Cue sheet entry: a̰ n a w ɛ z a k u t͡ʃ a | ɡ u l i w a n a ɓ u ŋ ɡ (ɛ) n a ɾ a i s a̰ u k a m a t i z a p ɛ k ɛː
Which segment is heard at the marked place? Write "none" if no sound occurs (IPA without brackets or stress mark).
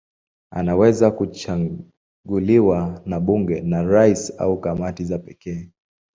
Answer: ɛ